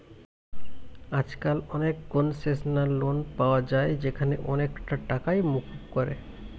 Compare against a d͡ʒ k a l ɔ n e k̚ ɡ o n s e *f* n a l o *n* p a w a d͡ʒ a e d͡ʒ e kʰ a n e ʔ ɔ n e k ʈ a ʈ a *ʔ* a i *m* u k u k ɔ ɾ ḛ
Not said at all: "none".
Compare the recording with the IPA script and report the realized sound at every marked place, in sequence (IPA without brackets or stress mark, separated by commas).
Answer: s, n, k, m